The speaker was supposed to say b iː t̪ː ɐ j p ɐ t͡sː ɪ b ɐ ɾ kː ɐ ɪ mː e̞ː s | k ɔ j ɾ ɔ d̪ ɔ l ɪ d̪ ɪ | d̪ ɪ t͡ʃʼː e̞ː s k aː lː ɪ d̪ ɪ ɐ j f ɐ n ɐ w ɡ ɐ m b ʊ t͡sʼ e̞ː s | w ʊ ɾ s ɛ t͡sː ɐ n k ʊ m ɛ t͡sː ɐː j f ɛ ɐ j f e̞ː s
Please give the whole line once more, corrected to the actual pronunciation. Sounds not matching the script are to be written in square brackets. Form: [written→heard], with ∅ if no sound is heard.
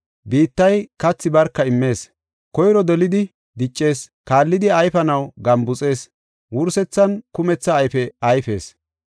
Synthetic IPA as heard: b iː t̪ː ɐ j [p→k] ɐ t͡sː ɪ b ɐ ɾ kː ɐ ɪ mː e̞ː s | k ɔ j ɾ ɔ d̪ ɔ l ɪ d̪ ɪ | d̪ ɪ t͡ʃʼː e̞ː s k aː lː ɪ d̪ ɪ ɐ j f ɐ n ɐ w ɡ ɐ m b ʊ t͡sʼ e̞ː s | w ʊ ɾ s ɛ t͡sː ɐ n k ʊ m ɛ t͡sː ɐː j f ɛ ɐ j f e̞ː s